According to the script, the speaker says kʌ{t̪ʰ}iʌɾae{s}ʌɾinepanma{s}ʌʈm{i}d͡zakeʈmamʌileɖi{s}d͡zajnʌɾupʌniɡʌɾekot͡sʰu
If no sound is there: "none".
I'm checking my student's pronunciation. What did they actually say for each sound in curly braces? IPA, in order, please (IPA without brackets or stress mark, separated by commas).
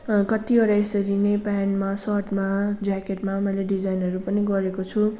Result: t̪, s, s, a, none